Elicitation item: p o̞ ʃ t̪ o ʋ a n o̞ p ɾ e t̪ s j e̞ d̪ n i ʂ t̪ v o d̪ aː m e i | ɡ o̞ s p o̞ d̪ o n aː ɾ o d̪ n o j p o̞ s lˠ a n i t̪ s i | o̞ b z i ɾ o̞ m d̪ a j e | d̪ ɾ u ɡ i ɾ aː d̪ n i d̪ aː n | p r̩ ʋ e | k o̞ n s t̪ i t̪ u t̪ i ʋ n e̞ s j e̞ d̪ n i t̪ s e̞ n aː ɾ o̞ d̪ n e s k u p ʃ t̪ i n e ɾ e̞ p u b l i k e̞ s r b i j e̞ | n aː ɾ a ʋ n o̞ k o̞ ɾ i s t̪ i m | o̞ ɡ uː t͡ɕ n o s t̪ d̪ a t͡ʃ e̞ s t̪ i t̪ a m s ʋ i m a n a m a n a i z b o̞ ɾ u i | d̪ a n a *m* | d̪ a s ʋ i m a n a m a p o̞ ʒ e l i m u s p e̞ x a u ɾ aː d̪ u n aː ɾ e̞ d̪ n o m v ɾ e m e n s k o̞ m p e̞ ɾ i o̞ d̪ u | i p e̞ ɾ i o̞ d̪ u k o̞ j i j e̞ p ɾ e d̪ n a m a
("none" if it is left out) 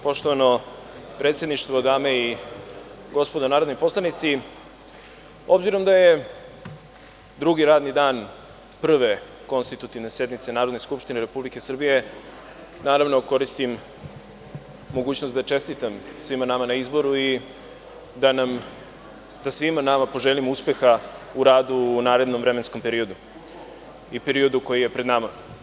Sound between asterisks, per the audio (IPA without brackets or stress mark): m